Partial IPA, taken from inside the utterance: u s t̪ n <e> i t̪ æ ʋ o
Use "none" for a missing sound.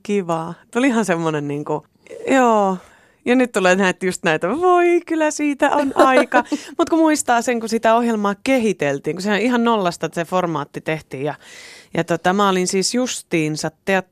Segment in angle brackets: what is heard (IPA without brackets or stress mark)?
æ